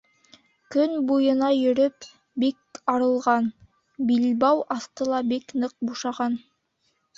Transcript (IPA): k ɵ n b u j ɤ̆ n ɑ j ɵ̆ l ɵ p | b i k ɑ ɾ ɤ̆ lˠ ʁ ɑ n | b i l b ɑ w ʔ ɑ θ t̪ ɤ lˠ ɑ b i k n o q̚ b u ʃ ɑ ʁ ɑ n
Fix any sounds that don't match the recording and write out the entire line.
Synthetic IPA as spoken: k ɵ n b u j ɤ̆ n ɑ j ɵ̆ ɾ ɵ p | b i k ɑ ɾ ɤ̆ lˠ ʁ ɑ n | b i l b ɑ w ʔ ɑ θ t̪ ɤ lˠ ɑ b i k n ɤ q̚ b u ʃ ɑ ʁ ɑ n